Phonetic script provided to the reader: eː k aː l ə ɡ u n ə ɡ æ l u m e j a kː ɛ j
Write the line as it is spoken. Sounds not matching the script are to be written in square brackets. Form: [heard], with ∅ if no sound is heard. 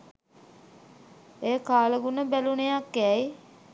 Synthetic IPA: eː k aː l ə ɡ u n ə [b] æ l u [n] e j a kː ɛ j